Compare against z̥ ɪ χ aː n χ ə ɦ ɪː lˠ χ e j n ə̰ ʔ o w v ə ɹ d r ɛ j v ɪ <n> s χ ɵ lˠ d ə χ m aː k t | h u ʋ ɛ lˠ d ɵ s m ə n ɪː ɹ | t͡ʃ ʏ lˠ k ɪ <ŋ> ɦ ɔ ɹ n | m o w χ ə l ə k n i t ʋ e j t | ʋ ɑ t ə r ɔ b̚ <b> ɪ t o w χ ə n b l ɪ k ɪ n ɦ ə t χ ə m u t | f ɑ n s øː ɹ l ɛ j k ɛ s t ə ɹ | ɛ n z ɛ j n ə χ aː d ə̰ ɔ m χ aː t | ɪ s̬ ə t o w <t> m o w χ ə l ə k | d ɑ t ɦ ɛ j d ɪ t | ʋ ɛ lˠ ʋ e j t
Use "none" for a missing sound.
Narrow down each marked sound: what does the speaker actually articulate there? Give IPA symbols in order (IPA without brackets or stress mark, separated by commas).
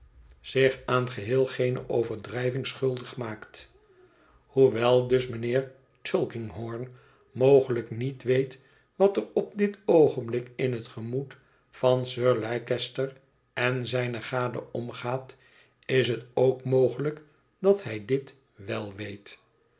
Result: ŋ, ŋ, d, k